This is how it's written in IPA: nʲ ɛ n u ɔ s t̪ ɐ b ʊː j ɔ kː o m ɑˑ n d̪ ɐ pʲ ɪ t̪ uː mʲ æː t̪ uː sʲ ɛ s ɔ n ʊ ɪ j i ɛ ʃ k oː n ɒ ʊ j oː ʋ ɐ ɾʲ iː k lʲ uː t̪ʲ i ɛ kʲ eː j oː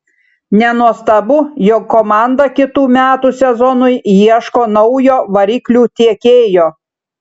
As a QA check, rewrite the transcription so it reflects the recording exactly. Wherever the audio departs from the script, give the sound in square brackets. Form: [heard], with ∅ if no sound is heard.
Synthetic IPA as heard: nʲ ɛ n u ɔ s t̪ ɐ b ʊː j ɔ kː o m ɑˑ n d̪ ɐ [kʲ] ɪ t̪ uː mʲ æː t̪ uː sʲ ɛ [z] ɔ n ʊ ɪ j i ɛ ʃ k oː n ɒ ʊ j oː ʋ ɐ ɾʲ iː k lʲ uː t̪ʲ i ɛ kʲ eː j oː